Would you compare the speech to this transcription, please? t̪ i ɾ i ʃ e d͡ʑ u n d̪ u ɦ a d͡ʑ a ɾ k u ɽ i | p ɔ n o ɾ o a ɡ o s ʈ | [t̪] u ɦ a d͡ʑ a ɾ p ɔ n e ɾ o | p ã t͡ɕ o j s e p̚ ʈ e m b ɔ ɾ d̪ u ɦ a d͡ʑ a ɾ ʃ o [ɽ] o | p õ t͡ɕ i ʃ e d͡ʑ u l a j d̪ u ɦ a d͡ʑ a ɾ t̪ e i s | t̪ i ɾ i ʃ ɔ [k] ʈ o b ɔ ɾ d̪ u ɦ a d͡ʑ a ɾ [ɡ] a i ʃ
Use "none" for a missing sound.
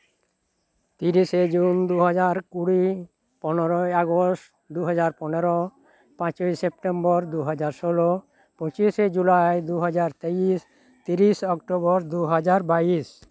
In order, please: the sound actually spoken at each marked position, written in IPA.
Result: d̪, l, k, b

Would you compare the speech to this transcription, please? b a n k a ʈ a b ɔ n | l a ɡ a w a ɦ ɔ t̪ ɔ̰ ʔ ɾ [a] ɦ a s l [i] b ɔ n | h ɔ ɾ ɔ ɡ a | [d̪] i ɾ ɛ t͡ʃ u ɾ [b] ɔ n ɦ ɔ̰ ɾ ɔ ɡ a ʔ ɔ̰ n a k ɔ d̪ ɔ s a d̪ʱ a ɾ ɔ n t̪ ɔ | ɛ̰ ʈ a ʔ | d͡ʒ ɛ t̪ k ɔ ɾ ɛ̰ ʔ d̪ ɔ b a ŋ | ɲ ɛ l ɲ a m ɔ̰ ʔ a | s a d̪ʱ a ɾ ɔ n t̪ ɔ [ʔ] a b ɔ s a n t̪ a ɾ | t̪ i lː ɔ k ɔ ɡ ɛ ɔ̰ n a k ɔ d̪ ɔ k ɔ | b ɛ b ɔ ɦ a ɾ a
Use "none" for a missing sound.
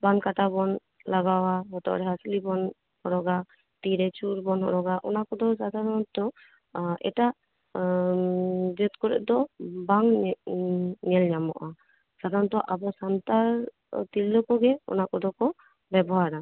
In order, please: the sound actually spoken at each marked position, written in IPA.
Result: ɛ, i, t̪, b, ʔ

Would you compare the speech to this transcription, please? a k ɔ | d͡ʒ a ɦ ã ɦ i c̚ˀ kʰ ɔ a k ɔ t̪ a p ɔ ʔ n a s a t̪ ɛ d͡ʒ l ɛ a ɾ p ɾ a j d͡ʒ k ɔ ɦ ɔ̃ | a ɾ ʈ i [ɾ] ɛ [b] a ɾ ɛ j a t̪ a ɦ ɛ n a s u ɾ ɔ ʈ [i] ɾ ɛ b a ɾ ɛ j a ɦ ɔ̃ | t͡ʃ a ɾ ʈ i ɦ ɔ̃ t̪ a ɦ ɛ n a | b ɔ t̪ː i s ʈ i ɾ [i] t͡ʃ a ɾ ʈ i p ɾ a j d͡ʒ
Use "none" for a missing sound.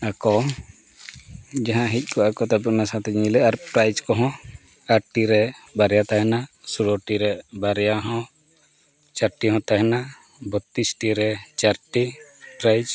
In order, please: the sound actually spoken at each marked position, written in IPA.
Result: ɾ, b, i, ɛ

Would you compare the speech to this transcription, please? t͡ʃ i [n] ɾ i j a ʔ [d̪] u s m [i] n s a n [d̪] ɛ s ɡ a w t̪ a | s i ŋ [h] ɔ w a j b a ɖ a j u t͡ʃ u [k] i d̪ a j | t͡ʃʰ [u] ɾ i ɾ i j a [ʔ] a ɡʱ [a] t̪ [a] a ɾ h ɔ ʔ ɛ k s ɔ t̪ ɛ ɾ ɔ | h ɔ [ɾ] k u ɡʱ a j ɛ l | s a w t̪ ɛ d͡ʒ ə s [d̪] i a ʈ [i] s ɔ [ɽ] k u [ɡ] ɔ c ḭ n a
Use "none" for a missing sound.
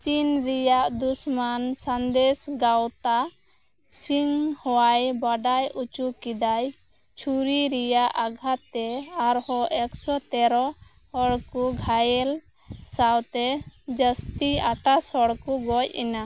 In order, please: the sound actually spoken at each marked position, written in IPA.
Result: n, d̪, a, d̪, h, k, u, ʔ, a, ɛ, ɽ, t̪, a, ɽ, ɡ

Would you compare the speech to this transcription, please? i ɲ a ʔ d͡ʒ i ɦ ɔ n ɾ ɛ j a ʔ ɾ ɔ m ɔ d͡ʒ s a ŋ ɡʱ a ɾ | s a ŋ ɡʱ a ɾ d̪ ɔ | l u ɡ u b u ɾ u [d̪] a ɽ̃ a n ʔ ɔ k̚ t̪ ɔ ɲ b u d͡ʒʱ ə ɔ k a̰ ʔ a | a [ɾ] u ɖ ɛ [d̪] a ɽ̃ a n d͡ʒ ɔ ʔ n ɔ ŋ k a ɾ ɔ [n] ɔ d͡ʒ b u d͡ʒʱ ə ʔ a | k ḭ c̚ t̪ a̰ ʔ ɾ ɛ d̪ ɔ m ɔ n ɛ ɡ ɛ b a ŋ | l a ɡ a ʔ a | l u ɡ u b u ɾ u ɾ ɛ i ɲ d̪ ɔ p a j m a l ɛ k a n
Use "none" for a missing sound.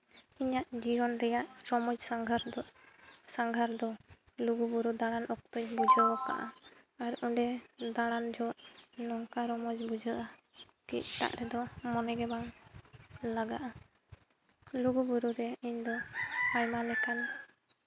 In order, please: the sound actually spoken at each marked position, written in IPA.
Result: d̪, ɾ, d̪, m

